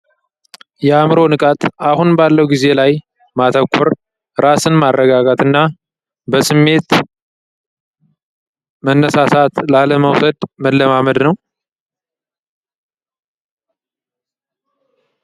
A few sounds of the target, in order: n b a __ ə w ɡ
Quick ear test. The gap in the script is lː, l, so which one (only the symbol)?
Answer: lː